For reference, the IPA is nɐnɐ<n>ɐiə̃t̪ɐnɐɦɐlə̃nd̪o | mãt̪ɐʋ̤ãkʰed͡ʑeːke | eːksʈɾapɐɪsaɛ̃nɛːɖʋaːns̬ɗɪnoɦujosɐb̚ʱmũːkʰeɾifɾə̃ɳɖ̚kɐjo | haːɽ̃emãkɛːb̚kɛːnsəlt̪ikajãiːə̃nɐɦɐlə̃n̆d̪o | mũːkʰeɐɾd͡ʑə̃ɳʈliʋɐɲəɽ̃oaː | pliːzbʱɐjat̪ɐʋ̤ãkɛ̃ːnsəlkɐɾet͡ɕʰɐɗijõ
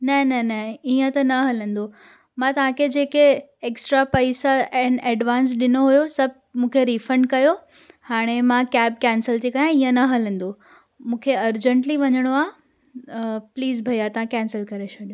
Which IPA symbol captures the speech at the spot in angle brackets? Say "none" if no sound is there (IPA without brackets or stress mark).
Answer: n